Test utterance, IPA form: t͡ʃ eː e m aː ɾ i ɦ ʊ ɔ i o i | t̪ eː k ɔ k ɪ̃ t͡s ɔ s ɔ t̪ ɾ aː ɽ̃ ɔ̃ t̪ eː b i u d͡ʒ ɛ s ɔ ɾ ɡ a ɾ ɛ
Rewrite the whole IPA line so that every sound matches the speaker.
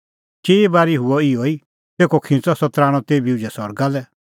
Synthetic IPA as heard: t͡ʃ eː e b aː ɾ i ɦ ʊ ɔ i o i | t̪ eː k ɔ kʰ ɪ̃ t͡s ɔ s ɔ t̪ ɾ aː ɽ̃ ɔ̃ t̪ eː b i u d͡ʒ ɛ s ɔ ɾ ɡ a l ɛ